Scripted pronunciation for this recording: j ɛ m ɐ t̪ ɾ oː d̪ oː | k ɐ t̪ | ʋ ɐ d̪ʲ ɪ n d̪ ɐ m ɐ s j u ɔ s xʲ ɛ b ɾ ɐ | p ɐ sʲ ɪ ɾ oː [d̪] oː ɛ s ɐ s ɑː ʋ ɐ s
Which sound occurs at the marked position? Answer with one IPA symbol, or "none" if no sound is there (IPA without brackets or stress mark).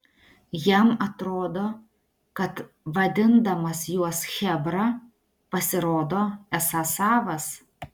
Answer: d̪